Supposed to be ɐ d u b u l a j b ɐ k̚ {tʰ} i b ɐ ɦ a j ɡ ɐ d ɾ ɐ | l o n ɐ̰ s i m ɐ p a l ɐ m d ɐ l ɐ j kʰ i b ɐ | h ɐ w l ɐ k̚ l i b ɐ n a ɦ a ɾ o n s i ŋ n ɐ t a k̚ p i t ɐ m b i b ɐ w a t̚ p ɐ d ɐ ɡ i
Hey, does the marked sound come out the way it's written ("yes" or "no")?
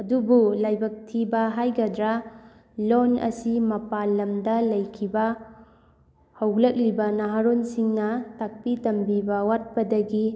yes